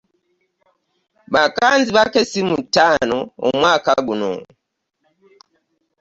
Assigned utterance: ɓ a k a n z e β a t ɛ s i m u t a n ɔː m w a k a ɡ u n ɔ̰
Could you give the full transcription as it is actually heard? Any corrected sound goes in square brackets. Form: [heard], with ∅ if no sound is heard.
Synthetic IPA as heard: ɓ a k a n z [i] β a [k] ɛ s i m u t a n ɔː m w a k a ɡ u n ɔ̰

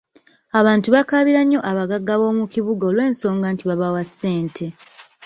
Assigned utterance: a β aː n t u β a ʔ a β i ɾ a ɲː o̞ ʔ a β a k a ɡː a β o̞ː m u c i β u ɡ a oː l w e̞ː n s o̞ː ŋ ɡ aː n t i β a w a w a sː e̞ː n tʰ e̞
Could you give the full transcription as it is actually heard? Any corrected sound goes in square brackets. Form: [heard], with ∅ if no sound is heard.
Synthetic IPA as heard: a β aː n t u β a [k] a β i ɾ a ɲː o̞ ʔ a β a [ɡ] a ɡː a β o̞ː m u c i β u ɡ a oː l w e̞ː n s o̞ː ŋ ɡ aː n t i β a [β] a w a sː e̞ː n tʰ e̞

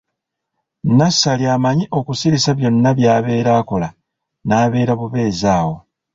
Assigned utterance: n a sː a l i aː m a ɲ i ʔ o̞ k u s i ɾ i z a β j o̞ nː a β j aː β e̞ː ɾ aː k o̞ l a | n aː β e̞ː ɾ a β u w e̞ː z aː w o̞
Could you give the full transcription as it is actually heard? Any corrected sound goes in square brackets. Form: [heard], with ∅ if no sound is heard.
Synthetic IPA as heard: n a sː a l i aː m a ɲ i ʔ o̞ k u s i ɾ i [s] a β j o̞ nː a β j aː β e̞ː ɾ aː k o̞ l a | n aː β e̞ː ɾ a β u [β] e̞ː z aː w o̞

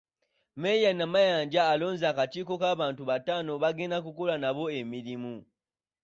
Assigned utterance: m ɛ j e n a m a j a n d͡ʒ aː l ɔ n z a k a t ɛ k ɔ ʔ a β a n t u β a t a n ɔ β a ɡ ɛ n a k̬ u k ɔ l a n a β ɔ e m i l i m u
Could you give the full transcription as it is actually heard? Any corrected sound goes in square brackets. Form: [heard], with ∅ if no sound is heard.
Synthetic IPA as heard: m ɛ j [a] n a m a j a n d͡ʒ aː l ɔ n z a k a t [i] k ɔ [k] a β a n t u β a t a n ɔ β a ɡ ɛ n a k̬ u k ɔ l a n a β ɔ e m i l i m u

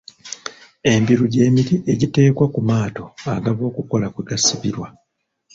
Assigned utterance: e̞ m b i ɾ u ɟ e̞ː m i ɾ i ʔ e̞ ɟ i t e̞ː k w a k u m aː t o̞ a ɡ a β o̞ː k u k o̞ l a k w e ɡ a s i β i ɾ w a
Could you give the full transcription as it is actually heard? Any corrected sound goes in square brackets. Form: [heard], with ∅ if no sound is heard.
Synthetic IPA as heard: e̞ m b i ɾ u ɟ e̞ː m i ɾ i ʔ e̞ ɟ i t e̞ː k w a k u m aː t o̞ a ɡ a β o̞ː k u k o̞ l a k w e ɡ a s i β i ɾ w a

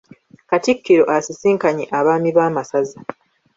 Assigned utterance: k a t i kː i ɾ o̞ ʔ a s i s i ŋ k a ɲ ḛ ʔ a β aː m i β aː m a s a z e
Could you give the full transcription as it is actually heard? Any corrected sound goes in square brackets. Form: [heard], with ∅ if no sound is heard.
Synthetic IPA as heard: k a t i kː i ɾ o̞ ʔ a s i s [iː] ŋ k a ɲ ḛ ʔ a β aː m i β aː m a s a z [a]

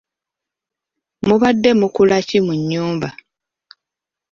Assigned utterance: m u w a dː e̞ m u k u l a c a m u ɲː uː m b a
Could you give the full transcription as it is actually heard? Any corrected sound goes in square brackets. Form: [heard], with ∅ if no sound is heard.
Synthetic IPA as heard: m u [β] a dː e̞ m u k u l a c [i] m u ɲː uː m b a

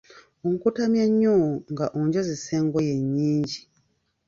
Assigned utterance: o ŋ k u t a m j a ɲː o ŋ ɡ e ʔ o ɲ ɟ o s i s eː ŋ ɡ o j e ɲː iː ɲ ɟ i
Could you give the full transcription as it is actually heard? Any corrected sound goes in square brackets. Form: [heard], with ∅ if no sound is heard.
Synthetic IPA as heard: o ŋ k u t a m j a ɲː o ŋ ɡ [a] ʔ o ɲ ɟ o [z] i s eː ŋ ɡ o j e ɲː iː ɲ ɟ i

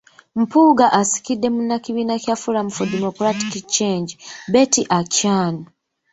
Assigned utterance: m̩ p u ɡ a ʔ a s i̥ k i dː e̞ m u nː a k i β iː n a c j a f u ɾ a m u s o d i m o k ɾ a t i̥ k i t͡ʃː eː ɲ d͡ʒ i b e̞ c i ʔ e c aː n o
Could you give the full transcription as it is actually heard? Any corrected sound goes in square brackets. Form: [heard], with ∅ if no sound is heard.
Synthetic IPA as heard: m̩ p u ɡ a ʔ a s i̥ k i dː e̞ m u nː a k i β iː n a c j a f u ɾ a m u [f] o d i m o k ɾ a t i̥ k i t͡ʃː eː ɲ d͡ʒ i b e̞ [t] i ʔ [a] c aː n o

